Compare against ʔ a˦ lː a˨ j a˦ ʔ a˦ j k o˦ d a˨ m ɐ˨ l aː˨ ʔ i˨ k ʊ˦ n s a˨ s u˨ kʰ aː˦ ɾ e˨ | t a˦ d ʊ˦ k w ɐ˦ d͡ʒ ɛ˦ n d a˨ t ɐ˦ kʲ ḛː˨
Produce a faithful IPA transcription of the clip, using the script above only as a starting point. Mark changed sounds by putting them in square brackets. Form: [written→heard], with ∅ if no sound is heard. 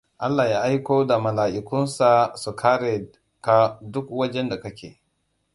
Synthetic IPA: ʔ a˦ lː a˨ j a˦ ʔ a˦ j k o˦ d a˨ m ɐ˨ l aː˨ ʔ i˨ k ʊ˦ n s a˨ s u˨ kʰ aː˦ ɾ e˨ | [t→k] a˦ d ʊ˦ k w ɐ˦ d͡ʒ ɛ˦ n d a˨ [t→k] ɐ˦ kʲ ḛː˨